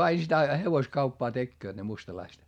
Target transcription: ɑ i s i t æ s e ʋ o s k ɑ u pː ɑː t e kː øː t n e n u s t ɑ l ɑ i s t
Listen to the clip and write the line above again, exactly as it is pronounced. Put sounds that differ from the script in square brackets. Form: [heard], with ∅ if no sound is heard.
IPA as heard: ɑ i s i t æ [h] e ʋ o s k ɑ u pː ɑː t e kː øː t n e [m] u s t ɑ l ɑ i s t